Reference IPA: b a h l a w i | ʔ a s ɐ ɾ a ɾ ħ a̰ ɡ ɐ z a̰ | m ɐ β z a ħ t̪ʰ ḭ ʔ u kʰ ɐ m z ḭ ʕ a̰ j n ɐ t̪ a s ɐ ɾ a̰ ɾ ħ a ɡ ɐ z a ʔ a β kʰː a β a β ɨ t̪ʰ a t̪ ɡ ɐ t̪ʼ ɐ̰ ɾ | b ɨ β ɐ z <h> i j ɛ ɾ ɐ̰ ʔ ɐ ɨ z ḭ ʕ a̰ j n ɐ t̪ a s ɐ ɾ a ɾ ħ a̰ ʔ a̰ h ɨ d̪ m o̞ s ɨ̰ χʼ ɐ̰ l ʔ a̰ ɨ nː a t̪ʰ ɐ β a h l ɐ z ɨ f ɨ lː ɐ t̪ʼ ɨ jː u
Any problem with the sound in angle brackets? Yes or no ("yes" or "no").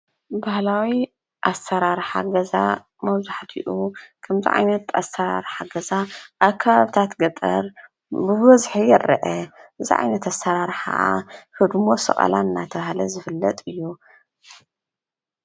yes